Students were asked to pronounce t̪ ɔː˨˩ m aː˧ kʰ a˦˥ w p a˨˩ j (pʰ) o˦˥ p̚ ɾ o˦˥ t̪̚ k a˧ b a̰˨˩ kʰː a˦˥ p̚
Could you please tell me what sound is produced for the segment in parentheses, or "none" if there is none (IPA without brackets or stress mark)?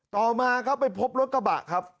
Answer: pʰ